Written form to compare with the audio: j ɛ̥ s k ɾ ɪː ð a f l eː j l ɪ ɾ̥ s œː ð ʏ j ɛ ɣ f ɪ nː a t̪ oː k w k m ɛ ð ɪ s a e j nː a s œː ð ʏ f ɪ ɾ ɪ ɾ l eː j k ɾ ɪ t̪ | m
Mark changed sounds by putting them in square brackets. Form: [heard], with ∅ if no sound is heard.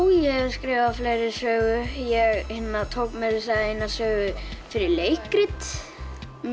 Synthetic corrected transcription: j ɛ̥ s k ɾ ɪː [v] a f l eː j [ɾ] ɪ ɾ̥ s œː [ɣ] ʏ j ɛ ɣ [h] ɪ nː a [t̪ʰ] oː [∅] w k m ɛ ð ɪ s a e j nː a s œː [ɣ] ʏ f ɪ ɾ ɪ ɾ l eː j k ɾ ɪ t̪ | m